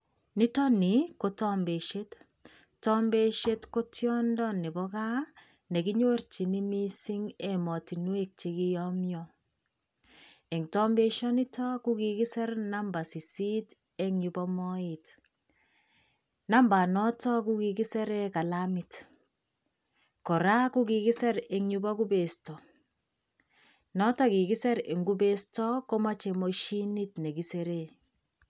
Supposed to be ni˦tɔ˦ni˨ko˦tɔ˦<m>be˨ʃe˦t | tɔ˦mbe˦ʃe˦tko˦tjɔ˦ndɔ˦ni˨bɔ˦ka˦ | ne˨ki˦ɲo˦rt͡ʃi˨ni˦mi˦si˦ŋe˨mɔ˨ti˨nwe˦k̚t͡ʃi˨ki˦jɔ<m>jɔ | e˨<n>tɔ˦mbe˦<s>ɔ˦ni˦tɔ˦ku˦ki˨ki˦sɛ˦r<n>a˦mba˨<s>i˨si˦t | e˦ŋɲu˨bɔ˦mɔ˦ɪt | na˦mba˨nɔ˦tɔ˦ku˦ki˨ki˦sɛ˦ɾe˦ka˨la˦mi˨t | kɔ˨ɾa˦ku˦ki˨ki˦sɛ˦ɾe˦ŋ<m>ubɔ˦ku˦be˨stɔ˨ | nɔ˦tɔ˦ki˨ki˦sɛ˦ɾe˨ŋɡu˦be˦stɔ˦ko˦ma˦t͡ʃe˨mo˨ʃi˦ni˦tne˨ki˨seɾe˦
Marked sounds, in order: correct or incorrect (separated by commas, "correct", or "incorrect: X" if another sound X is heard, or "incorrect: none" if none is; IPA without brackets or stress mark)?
correct, correct, incorrect: ŋ, incorrect: ʃ, correct, correct, incorrect: ɲ